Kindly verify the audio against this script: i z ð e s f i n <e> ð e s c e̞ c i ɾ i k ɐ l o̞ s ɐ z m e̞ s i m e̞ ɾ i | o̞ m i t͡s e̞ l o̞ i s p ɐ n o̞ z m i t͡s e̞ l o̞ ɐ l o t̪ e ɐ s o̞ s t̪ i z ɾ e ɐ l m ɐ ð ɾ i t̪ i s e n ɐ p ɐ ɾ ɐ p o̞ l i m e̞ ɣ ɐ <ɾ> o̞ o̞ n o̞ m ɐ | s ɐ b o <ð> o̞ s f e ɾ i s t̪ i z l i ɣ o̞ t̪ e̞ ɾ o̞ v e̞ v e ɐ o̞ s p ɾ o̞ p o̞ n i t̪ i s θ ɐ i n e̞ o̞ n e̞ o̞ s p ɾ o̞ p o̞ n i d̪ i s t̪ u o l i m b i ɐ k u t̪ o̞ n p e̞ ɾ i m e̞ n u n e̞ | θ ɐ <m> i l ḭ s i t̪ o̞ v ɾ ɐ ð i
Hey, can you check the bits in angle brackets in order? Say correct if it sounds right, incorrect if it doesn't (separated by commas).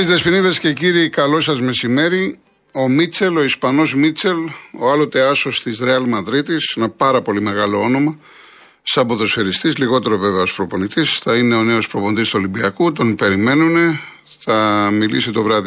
incorrect, incorrect, correct, correct